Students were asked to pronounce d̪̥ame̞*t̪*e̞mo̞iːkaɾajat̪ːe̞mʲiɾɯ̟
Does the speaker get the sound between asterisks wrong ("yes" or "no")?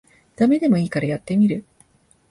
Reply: yes